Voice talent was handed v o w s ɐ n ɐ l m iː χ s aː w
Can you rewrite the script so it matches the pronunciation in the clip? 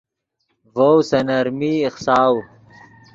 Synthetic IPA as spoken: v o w s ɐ n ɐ ɾ m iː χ s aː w